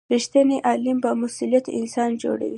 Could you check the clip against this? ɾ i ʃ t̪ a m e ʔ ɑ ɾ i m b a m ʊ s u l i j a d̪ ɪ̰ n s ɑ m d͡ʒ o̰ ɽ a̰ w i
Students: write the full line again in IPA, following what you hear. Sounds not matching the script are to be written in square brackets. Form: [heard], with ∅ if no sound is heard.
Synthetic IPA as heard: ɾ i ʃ t̪ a [n] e ʔ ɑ [l] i m b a m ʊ s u l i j a [t̪] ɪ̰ n s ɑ [n] d͡ʒ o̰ ɽ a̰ w i

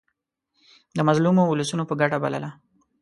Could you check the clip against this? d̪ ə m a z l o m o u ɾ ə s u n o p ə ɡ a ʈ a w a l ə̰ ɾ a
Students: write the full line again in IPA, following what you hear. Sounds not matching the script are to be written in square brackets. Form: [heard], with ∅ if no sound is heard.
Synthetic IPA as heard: d̪ ə m a z l [u] m o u [l] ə s u n o p ə ɡ a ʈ a [b] a l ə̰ [l] a

